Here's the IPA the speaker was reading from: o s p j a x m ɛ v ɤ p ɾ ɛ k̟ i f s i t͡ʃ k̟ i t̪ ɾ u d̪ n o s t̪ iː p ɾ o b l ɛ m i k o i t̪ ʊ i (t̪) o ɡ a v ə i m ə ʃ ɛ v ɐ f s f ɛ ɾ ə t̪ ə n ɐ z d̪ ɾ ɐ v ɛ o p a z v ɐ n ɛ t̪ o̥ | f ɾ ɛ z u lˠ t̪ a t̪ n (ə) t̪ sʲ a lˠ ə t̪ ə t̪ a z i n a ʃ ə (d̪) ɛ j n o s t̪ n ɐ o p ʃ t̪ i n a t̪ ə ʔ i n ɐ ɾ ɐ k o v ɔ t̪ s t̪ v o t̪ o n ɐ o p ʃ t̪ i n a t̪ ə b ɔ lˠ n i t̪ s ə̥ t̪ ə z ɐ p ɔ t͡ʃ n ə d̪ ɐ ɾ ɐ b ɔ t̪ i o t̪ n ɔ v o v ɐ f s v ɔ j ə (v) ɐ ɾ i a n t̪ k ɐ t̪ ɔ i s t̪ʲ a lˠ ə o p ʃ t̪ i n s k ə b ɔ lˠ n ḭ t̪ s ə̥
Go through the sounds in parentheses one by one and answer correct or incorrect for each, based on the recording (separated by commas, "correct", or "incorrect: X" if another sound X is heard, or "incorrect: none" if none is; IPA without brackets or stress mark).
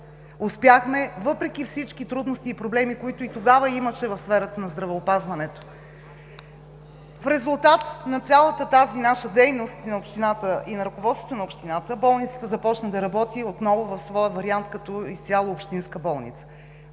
correct, incorrect: ɐ, correct, correct